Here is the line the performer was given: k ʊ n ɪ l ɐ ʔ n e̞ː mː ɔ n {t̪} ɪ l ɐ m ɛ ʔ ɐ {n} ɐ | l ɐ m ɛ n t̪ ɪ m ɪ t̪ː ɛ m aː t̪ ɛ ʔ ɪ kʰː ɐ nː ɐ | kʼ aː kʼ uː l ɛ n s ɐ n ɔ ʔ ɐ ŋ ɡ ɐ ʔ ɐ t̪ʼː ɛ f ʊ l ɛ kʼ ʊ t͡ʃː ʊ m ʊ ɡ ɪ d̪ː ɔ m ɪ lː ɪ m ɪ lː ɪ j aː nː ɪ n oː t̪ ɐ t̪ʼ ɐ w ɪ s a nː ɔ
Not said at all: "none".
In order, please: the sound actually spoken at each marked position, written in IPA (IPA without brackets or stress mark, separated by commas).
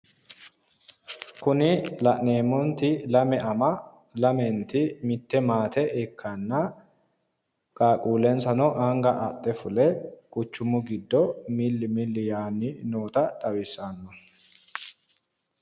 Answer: t̪, m